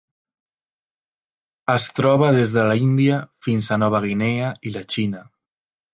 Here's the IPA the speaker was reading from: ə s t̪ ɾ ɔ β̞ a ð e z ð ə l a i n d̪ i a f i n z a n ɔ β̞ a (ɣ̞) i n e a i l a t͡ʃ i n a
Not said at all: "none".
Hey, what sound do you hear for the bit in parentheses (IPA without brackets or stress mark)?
ɣ̞